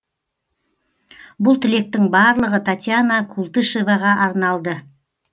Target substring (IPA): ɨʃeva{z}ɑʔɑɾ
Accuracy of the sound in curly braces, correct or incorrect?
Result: incorrect: ʁ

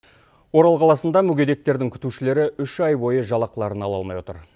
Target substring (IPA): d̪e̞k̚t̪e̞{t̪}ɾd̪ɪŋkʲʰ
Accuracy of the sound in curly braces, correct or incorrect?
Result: incorrect: none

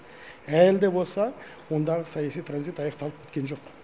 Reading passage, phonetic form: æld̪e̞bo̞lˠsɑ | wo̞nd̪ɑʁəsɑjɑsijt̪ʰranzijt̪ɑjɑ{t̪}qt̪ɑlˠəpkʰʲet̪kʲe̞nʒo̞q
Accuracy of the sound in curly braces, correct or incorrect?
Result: incorrect: none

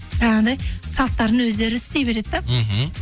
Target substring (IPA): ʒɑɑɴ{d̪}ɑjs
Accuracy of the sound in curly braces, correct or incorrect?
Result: correct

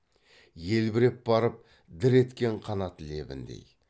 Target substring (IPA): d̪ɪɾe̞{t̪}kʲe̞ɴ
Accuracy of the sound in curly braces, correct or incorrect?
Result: correct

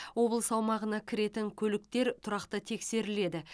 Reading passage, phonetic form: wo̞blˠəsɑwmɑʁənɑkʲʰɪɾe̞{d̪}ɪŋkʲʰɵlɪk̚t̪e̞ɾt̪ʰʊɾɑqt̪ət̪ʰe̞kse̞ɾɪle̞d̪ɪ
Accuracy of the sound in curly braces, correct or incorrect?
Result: incorrect: t̪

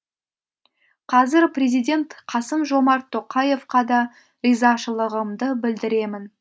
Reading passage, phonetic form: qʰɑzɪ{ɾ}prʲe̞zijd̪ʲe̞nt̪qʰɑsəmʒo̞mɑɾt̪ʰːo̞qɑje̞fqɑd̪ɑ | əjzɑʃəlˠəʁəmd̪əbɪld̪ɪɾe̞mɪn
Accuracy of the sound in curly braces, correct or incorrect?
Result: correct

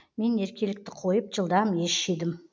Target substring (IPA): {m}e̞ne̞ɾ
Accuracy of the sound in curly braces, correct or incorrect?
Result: correct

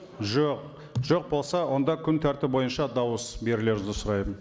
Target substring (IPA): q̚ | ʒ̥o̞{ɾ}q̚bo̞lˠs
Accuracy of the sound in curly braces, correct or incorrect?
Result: incorrect: none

